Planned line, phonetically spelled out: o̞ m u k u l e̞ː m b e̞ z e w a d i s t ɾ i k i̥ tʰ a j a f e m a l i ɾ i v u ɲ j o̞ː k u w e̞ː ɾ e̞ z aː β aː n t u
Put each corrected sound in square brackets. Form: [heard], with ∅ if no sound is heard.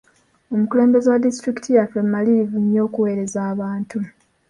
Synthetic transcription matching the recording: o̞ m u k u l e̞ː m b e̞ z e w a d i s t ɾ i k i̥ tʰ [i] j a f e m a l i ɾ i v u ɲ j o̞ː k u w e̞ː ɾ e̞ z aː β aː n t u